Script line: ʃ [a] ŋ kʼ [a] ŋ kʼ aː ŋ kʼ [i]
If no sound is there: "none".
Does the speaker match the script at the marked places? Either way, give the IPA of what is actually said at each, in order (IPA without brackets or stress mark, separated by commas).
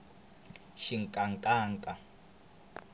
i, a, a